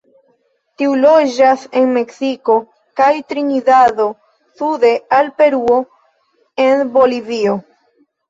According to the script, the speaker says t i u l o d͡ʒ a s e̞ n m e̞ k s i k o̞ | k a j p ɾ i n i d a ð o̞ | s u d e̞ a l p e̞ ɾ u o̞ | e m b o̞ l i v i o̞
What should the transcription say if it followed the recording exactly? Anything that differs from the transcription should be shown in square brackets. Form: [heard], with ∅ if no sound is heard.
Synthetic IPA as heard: t i u l o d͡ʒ a s e̞ n m e̞ k s i k o̞ | k a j [t] ɾ i n i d a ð o̞ | s u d e̞ a l p e̞ ɾ u o̞ | e [n] b o̞ l i v i o̞